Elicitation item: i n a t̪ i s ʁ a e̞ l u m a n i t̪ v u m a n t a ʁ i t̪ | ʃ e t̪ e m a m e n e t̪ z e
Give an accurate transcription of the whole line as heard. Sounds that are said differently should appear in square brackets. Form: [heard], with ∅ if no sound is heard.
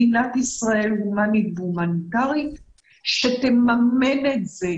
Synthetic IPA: i n a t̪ i s ʁ a e̞ l u m a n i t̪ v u m a n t a ʁ i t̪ | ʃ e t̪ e m a m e n e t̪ z e